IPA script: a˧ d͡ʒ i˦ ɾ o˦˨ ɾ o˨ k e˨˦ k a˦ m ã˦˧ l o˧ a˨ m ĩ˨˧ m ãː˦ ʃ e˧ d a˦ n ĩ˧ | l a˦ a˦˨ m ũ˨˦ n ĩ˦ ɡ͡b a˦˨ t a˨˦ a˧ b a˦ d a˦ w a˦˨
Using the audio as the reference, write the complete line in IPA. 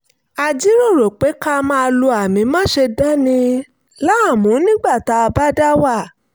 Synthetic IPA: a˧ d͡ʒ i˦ ɾ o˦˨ ɾ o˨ k͡p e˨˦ k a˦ m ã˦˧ l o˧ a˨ m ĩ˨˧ m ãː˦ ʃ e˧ d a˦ n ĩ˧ | l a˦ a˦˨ m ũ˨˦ n ĩ˦ ɡ͡b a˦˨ t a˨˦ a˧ b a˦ d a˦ w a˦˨